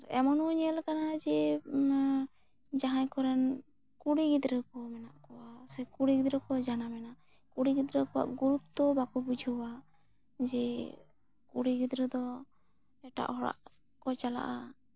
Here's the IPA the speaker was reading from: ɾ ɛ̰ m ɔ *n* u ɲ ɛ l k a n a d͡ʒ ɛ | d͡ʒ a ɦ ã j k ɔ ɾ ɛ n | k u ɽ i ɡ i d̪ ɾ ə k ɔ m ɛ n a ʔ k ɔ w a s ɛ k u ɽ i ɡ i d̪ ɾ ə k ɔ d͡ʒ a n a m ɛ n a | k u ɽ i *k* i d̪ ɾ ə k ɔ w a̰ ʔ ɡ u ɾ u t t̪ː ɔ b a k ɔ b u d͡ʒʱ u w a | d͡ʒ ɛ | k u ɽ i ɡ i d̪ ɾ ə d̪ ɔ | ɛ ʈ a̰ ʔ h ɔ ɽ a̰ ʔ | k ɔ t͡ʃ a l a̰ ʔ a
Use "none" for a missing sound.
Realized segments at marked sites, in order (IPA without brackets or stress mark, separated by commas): n, ɡ